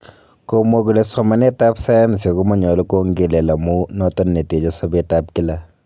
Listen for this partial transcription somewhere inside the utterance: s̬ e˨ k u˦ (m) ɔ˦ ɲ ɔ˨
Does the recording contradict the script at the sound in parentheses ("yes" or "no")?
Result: no